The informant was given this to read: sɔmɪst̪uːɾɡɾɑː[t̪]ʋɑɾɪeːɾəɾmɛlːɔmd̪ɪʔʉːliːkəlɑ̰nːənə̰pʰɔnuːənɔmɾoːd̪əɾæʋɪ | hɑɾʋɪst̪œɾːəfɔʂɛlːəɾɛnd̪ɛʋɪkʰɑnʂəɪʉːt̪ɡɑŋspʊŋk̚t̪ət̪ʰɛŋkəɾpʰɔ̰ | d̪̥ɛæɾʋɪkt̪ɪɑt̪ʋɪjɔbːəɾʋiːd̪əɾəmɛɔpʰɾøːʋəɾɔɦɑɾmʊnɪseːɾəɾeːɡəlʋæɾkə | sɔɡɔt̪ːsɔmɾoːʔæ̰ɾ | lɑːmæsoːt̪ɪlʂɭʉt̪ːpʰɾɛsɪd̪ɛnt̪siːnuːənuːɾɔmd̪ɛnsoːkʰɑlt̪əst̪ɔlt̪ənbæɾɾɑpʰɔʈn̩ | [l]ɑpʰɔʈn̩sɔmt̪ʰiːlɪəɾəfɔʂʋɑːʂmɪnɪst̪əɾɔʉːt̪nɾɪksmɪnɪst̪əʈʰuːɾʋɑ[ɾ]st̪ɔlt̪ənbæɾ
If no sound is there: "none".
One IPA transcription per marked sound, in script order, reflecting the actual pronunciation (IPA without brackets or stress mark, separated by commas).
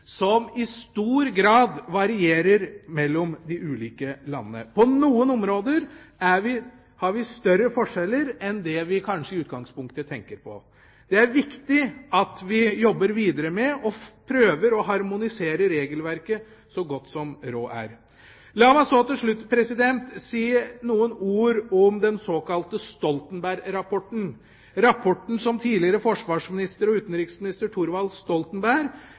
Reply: d̪, ɾ, l